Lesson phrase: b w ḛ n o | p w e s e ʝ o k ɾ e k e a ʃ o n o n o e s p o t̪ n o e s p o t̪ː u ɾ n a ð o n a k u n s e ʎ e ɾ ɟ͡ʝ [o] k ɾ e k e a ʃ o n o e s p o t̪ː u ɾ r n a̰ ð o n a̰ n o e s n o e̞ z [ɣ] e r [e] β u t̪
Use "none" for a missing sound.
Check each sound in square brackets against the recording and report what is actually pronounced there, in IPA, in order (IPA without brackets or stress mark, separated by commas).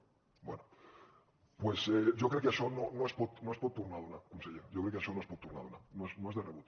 o, ð, e